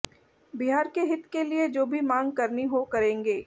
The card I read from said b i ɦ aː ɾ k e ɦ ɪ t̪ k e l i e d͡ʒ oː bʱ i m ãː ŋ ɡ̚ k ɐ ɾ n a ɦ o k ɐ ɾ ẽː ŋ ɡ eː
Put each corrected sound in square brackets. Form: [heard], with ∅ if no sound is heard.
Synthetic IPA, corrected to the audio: b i ɦ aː ɾ k e ɦ ɪ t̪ k e l i e d͡ʒ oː bʱ i m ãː ŋ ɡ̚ k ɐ ɾ n [i] ɦ o k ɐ ɾ ẽː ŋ ɡ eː

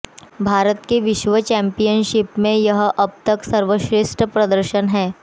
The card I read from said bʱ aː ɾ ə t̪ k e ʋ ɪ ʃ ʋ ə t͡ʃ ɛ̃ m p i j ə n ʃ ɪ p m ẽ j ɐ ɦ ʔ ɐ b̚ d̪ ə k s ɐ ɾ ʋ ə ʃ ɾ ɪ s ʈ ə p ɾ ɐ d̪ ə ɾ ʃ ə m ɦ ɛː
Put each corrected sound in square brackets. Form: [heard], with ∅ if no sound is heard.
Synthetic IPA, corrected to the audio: bʱ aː ɾ ə t̪ k e ʋ ɪ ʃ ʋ ə t͡ʃ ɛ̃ m p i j ə n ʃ ɪ p m ẽ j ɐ ɦ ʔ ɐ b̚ [t̪] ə k s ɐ ɾ ʋ ə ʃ ɾ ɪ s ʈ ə p ɾ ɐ d̪ ə ɾ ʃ ə [n] ɦ ɛː

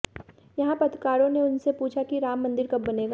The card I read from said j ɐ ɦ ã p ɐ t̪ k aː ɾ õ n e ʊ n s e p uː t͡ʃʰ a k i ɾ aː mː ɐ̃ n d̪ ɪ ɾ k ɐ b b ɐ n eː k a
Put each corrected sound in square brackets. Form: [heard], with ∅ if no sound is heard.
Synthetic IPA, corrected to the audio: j ɐ ɦ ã p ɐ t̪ k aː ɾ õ n e ʊ n s e p uː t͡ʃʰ a k i ɾ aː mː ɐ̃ n d̪ ɪ ɾ k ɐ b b ɐ n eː [ɡ] a

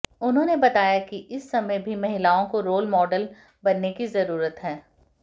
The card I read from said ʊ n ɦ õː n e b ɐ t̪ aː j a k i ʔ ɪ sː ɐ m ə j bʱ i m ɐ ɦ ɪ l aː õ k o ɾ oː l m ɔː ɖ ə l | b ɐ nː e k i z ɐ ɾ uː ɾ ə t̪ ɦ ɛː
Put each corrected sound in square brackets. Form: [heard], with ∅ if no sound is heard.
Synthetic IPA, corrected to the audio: ʊ n ɦ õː n e b ɐ t̪ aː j a k i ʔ ɪ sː ɐ m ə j bʱ i m ɐ ɦ ɪ l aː õ k o ɾ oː l m ɔː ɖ ə l | b ɐ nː e k i z ɐ ɾ uː ɾ ə t̪ ɦ ɛː

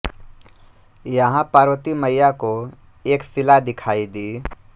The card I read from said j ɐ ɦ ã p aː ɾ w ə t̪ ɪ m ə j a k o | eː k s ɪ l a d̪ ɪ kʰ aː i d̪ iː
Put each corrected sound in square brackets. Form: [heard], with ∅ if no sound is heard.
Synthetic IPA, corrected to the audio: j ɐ ɦ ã p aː ɾ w ə t̪ [i] m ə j a k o | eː k s ɪ l a d̪ ɪ kʰ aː i d̪ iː

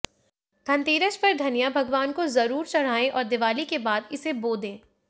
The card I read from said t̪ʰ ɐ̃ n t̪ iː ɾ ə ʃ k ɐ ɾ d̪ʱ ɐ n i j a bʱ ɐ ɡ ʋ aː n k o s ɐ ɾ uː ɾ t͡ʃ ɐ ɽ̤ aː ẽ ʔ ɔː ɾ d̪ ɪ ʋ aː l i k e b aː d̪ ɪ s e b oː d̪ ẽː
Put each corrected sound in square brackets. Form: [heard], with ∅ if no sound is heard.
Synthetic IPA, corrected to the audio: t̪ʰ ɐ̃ n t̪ iː ɾ ə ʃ [p] ɐ ɾ d̪ʱ ɐ n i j a bʱ ɐ ɡ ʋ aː n k o [z] ɐ ɾ uː ɾ t͡ʃ ɐ ɽ̤ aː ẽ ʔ ɔː ɾ d̪ ɪ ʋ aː l i k e b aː d̪ ɪ s e b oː d̪ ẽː

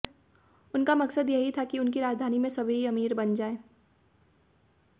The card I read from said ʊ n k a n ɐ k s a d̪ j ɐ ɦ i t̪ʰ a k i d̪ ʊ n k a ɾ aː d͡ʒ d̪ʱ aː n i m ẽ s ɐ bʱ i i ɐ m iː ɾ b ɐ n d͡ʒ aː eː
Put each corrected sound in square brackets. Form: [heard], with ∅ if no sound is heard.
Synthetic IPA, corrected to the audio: ʊ n k a [m] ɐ k s [ə] d̪ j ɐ ɦ i t̪ʰ a k i [∅] ʊ n k [i] ɾ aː d͡ʒ d̪ʱ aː n i m ẽ s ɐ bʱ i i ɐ m iː ɾ b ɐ n d͡ʒ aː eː

